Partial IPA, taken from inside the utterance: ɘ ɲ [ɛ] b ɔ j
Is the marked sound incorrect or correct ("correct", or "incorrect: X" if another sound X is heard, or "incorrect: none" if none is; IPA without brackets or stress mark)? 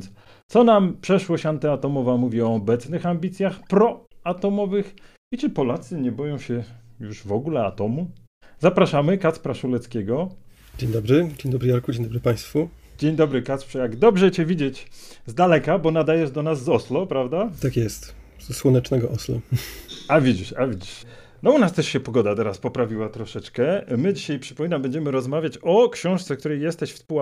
correct